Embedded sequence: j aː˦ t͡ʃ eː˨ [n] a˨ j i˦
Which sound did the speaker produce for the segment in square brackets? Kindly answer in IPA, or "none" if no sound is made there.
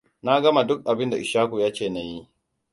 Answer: n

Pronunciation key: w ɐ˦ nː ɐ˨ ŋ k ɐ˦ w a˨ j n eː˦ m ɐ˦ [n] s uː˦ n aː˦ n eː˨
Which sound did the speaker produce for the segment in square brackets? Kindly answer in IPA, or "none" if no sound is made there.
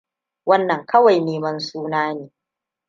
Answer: n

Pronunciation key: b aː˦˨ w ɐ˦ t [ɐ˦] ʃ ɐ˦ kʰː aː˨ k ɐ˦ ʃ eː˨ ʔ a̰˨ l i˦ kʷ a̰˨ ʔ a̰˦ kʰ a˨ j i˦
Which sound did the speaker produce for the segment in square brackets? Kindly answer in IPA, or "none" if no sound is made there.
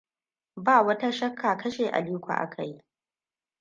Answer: a˦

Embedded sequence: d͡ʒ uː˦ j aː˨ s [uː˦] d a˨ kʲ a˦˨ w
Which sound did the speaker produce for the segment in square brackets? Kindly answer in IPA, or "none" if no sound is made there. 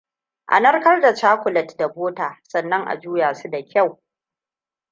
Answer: u˦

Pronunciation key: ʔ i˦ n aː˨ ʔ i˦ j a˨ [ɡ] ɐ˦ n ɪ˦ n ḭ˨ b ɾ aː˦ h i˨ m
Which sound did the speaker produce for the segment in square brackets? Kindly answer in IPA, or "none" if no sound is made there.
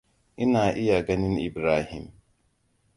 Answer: ɡ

